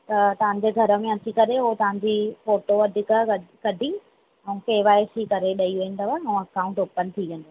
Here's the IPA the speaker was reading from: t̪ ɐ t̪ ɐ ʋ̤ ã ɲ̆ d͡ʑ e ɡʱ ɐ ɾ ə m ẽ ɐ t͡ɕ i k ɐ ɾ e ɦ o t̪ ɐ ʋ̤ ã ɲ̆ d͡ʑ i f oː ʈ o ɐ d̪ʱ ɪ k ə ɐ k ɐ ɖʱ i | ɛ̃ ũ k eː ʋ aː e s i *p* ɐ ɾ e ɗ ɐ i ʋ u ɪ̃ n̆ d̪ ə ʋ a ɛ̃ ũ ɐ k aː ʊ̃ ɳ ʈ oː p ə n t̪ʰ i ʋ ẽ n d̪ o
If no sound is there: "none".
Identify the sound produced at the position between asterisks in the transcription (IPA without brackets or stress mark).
k